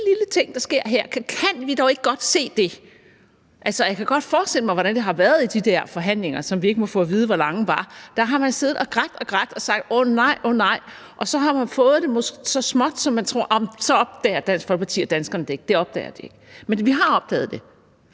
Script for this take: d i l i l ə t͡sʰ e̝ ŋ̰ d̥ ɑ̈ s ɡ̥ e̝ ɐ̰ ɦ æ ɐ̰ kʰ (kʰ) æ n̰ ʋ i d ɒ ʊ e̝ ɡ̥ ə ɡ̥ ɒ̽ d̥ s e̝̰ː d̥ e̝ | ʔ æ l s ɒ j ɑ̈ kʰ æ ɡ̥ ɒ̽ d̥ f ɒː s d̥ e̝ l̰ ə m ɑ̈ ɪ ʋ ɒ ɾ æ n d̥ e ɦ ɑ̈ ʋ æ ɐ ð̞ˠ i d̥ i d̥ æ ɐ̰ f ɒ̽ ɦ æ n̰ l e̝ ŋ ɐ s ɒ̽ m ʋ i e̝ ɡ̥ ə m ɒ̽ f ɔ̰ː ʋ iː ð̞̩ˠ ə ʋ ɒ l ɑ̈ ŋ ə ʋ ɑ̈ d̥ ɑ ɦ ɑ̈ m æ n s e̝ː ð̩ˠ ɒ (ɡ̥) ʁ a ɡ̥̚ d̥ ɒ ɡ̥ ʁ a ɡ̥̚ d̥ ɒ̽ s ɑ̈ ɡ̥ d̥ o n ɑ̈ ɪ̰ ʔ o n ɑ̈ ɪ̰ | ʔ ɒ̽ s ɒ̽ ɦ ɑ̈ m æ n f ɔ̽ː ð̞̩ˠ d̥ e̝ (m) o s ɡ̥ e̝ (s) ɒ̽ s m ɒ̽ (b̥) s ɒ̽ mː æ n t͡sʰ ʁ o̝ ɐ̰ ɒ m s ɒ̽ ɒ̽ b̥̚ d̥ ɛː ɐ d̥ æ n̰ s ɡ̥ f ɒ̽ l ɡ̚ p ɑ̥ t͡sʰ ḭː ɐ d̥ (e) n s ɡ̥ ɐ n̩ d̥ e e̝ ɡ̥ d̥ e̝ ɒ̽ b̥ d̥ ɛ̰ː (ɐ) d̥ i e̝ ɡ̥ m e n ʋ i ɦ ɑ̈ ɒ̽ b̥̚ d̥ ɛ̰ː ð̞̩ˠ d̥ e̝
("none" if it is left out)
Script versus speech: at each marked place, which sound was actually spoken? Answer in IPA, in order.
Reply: kʰ, ɡ̥, m, s, d̥, æ, ɐ

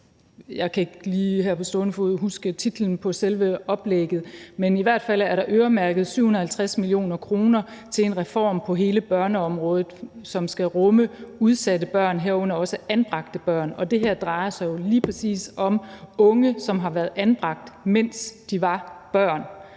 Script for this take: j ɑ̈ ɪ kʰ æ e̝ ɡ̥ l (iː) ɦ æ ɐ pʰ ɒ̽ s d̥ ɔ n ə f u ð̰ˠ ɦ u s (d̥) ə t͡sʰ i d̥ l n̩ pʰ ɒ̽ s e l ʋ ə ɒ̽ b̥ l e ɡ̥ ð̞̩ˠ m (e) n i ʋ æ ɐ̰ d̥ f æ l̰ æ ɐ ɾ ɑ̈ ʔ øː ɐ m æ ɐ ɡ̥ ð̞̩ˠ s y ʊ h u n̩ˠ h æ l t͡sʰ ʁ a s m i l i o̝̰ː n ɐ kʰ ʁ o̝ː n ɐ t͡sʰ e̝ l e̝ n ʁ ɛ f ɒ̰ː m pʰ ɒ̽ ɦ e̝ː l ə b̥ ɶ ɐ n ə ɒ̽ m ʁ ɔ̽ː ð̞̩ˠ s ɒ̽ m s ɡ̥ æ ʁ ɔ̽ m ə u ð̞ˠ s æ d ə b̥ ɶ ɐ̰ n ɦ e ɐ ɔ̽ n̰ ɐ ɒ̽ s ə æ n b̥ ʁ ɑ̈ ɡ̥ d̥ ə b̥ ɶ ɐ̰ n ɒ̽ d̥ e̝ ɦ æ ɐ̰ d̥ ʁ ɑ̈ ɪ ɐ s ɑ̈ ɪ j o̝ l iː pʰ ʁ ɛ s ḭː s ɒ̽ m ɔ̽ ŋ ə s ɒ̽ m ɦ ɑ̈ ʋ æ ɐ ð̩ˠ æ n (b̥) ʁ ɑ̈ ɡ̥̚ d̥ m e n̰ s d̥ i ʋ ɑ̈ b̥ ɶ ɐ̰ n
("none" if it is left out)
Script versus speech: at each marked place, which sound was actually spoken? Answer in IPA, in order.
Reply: iː, ɡ̥, e, b̥

